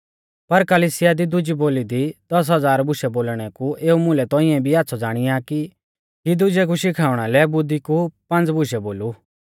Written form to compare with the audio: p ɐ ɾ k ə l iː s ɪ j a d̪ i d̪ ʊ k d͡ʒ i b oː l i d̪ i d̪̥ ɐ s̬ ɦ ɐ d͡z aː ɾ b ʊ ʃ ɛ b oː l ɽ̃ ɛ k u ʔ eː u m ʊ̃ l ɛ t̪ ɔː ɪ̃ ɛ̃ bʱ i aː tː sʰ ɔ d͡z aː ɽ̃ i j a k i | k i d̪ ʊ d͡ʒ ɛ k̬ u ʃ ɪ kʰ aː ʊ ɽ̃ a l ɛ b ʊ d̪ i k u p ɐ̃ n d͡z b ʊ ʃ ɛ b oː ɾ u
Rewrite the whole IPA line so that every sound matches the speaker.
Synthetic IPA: p ɐ ɾ k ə l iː s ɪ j a d̪ i d̪ ʊ d͡ʒ i b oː l i d̪ i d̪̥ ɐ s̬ ɦ ɐ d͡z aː ɾ b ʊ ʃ ɛ b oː l ɽ̃ ɛ k u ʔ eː u m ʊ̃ l ɛ t̪ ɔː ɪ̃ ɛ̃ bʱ i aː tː sʰ ɔ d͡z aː ɽ̃ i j a k i | k i d̪ ʊ d͡ʒ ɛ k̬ u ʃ ɪ kʰ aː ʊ ɽ̃ a l ɛ b ʊ d̪ i k u p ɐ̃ n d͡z b ʊ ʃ ɛ b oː l u